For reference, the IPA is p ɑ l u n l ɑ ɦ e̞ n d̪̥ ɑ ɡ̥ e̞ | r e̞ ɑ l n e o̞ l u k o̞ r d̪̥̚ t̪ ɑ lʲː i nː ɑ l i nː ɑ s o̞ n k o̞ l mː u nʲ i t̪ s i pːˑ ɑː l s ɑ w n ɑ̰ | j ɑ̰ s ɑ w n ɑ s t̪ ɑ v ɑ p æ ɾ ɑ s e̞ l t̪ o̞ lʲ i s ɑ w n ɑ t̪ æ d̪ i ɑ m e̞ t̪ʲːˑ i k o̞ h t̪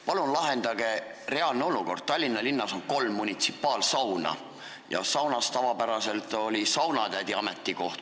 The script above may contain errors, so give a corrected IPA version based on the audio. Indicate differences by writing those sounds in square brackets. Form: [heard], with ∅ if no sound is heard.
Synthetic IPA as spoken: p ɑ l u n l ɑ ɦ e̞ n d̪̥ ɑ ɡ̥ e̞ | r e̞ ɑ l n e o̞ l u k o̞ r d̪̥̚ t̪ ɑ lʲː i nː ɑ l i nː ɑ s o̞ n k o̞ l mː u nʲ i t̪ s i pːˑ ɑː l s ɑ w n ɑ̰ | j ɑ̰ s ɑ w n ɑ s t̪ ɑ v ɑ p æ ɾ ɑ s e̞ l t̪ o̞ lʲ i s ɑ w n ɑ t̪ æ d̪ i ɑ m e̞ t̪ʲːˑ i k o̞ h t̪